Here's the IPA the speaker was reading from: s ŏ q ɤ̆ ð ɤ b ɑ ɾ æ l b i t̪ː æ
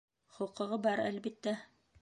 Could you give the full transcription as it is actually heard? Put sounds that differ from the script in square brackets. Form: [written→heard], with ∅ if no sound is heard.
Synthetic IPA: [s→χ] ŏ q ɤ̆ [ð→ʁ] ɤ b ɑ ɾ æ l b i t̪ː æ